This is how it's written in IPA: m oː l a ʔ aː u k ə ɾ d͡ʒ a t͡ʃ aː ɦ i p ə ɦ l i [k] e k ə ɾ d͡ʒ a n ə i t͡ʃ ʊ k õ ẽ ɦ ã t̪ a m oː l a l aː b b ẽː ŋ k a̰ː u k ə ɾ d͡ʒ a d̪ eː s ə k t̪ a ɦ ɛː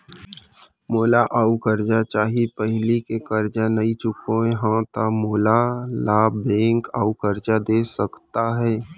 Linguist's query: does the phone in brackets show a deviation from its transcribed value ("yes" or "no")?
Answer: no